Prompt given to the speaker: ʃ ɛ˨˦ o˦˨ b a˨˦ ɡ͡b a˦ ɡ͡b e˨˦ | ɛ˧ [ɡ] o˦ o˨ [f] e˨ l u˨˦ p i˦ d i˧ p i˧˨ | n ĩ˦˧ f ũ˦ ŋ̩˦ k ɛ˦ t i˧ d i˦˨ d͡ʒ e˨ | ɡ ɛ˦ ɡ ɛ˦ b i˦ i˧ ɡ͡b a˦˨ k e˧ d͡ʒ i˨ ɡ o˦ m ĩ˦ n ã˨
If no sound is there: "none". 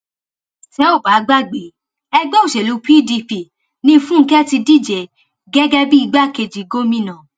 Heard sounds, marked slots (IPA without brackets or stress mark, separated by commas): ɡ͡b, ʃ